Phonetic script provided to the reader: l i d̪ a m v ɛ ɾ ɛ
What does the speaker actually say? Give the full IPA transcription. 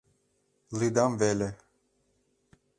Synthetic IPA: l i d̪ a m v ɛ l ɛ